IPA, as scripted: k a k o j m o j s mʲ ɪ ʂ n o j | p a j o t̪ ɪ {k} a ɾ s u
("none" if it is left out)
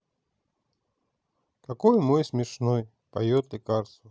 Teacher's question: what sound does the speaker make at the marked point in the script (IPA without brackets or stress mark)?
k